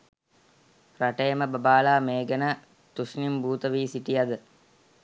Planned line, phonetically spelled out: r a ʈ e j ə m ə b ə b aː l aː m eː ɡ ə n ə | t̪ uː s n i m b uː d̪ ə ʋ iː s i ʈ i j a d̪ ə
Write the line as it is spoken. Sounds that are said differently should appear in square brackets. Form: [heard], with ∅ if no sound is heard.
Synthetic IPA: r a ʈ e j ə m ə b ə b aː l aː m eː ɡ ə n ə | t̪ [u] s n i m b uː [t̪] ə ʋ iː s i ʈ i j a d̪ ə